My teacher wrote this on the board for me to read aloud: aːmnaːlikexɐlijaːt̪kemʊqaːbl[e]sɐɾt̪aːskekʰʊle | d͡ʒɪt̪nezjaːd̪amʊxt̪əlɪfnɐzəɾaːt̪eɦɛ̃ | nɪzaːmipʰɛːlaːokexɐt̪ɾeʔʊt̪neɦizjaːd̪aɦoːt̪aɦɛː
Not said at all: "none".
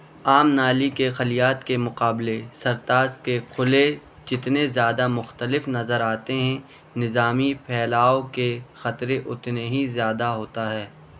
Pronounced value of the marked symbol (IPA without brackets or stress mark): e